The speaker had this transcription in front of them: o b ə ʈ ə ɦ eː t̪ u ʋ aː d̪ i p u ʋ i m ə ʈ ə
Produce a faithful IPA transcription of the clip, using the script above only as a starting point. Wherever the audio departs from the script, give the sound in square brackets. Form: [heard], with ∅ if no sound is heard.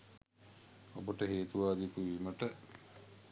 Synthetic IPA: o b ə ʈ ə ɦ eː t̪ u ʋ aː d̪ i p u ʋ i m ə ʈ ə